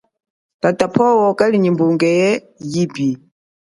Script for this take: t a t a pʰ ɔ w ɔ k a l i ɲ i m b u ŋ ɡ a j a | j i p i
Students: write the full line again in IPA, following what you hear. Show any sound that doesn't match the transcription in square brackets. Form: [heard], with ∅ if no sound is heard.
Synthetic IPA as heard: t a t a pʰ ɔ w ɔ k a l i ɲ i m b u ŋ ɡ [ɛ] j [ɛ] | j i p i